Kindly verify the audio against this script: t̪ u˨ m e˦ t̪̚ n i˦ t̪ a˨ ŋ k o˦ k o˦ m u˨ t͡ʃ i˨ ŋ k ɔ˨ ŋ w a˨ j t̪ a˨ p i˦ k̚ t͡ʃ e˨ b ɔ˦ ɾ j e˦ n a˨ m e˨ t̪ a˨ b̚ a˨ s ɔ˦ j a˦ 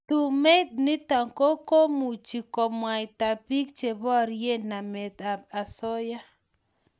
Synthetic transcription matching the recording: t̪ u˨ m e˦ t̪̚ n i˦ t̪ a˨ ŋ k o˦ k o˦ m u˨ t͡ʃ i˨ k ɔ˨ m w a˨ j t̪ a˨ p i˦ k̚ t͡ʃ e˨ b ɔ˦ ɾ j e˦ n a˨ m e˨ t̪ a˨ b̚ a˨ s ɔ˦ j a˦